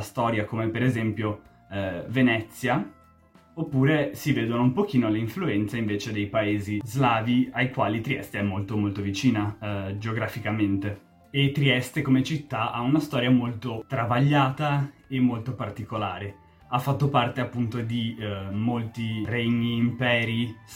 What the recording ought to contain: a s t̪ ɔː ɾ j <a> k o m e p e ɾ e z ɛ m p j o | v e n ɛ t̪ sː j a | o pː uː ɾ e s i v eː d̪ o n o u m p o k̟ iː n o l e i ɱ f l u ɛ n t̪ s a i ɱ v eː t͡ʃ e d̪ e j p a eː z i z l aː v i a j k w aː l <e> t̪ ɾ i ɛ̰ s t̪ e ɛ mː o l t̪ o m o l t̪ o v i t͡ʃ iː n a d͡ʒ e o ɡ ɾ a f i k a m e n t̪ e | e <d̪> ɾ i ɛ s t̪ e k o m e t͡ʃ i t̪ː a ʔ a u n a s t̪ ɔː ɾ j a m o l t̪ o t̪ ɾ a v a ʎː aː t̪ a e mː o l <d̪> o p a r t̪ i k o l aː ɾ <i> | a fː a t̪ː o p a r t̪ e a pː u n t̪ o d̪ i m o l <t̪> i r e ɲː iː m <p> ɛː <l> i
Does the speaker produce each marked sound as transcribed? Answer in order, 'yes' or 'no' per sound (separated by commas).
yes, no, no, no, no, yes, yes, no